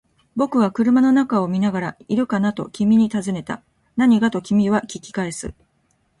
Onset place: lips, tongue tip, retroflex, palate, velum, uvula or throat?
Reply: lips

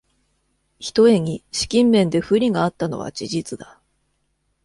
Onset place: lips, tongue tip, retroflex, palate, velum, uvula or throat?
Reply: palate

